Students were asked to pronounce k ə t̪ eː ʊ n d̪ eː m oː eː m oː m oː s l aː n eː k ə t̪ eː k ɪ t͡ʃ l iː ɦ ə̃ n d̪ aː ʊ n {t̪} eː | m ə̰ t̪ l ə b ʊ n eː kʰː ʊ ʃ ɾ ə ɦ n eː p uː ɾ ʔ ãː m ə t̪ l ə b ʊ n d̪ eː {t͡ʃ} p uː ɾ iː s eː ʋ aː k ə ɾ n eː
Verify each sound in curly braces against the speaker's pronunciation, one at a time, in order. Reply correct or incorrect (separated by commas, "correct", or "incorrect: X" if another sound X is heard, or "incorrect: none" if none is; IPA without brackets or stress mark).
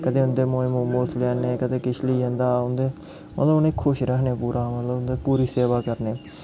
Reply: incorrect: d̪, incorrect: none